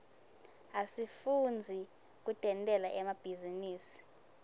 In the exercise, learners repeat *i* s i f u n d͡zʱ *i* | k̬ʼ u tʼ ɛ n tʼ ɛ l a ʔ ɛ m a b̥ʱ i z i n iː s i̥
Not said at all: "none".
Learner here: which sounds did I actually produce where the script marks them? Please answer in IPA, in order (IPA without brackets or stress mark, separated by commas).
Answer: a, i